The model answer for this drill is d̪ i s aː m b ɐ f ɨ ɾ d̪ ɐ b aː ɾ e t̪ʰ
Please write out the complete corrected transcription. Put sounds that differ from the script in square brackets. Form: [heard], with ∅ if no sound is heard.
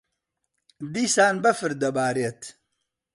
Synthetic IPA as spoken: d̪ i s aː [n] b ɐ f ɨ ɾ d̪ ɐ b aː ɾ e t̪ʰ